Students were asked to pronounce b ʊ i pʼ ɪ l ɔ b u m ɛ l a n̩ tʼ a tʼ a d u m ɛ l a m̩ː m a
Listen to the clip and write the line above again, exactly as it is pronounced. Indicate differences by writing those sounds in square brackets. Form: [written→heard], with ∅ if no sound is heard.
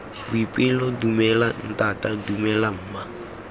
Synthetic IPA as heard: b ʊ i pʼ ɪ l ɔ [b→d] u m ɛ l a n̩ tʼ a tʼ a d u m ɛ l a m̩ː m a